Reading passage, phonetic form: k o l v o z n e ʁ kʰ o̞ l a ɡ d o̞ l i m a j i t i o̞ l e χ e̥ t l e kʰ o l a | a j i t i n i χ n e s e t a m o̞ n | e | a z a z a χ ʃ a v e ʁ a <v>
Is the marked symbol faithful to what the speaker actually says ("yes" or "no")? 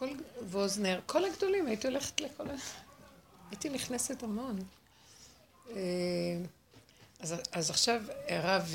yes